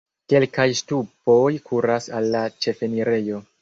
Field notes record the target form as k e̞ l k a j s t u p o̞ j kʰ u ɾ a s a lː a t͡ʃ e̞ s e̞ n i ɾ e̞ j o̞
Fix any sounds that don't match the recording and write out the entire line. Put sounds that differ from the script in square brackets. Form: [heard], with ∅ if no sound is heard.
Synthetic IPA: k e̞ l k a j s t u p o̞ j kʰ u ɾ a s a lː a t͡ʃ e̞ [f] e̞ n i ɾ e̞ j o̞